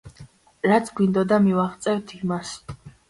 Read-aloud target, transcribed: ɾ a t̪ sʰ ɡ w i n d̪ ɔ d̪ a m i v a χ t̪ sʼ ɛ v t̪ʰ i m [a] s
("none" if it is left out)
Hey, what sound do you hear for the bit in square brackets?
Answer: a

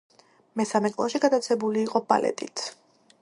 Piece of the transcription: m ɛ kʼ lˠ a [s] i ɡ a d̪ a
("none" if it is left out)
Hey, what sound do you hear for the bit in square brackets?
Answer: ʃ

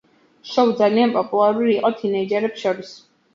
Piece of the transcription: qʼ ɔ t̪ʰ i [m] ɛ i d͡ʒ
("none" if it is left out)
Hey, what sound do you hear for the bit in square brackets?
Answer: n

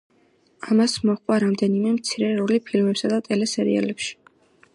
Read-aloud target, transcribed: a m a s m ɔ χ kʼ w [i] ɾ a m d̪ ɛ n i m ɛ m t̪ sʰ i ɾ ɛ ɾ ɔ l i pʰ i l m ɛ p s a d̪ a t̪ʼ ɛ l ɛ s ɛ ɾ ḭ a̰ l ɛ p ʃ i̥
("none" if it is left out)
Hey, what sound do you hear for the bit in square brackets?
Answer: a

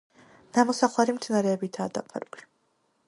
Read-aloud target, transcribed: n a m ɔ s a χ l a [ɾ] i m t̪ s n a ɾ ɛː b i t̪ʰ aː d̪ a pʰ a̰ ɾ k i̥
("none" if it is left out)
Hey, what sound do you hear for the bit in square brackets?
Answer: ɾ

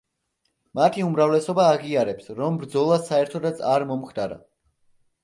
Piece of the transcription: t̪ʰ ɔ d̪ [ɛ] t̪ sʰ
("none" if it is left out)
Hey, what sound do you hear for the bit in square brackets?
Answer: a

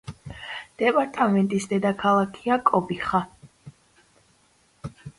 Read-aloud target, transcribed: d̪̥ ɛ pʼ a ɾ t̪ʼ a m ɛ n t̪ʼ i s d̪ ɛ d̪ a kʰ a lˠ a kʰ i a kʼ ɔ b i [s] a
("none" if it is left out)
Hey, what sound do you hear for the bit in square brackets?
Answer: χ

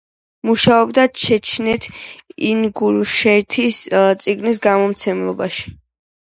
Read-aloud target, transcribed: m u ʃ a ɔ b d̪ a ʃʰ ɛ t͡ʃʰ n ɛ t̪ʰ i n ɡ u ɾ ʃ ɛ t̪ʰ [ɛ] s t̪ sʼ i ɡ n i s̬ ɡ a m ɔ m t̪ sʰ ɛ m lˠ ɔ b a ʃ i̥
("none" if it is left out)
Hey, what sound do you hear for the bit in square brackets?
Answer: i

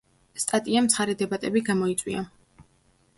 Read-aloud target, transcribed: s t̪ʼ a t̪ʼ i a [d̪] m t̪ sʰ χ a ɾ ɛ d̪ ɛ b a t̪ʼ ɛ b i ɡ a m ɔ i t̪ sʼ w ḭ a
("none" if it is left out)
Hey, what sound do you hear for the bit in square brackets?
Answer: none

